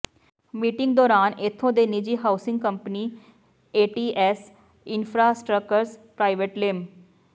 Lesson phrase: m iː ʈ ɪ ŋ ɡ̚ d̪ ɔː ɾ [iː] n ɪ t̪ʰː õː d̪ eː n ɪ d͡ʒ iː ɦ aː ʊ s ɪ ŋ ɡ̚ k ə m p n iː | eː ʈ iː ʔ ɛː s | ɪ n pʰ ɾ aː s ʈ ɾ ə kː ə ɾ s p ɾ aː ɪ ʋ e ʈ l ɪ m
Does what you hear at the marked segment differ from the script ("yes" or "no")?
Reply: yes